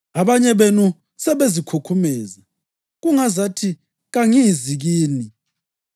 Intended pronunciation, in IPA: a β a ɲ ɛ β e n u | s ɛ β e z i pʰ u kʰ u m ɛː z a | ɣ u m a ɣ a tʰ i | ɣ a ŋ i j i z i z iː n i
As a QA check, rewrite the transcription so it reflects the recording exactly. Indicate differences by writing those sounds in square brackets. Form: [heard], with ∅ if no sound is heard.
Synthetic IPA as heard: a β a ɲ ɛ β e n u | s ɛ β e z i [kʰ] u kʰ u m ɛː z a | ɣ u [ŋ] a [z] a tʰ i | ɣ a ŋ i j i z i [ɣ] iː n i